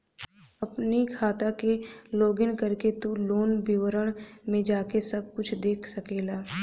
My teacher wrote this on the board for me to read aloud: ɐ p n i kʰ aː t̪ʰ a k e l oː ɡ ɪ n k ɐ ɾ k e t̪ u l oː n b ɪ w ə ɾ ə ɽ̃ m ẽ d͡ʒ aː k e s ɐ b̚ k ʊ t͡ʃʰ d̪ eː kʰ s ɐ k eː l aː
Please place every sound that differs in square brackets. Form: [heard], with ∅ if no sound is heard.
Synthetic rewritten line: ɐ p n i kʰ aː [t̪] a k e l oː ɡ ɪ n k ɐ ɾ k e t̪ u l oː n b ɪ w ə ɾ ə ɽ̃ m ẽ d͡ʒ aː k e s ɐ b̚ k ʊ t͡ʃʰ d̪ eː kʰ s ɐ k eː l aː